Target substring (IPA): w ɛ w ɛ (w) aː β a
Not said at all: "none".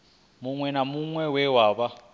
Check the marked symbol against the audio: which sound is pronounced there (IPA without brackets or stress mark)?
w